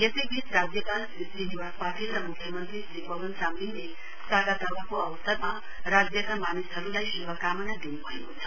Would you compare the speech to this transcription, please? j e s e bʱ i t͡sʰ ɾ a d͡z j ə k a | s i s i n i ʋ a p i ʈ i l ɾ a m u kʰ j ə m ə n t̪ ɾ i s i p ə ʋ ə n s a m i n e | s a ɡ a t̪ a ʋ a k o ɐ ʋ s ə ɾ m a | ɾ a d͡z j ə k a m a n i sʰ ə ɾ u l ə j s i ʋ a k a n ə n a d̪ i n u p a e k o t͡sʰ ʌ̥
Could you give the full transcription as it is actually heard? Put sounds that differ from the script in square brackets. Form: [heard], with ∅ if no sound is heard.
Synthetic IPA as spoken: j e s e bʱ i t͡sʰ ɾ a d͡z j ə k a | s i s i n i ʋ a p [a] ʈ i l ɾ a m u kʰ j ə m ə n t̪ ɾ i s i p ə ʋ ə n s a m i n e | s a ɡ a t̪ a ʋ a k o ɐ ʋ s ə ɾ m a | ɾ a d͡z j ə k a m a n i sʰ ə ɾ u l [a] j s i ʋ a k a [m] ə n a d̪ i n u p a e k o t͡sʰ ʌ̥